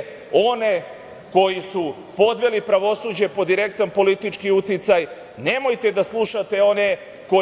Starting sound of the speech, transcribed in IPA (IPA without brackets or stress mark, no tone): o̞